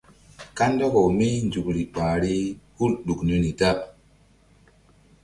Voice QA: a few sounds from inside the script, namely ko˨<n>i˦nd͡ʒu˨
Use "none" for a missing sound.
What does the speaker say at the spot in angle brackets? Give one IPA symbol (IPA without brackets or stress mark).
m